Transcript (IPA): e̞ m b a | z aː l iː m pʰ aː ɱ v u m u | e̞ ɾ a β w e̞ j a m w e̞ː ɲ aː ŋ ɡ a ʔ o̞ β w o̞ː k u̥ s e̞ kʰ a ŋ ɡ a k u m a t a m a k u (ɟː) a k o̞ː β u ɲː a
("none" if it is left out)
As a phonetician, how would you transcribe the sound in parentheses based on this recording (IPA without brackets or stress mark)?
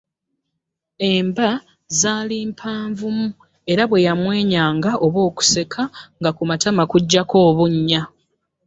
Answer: ɟː